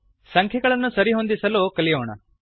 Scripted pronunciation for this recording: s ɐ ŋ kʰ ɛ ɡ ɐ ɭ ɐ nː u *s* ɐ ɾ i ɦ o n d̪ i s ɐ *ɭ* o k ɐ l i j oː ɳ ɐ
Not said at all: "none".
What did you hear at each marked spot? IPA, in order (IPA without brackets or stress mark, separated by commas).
s, l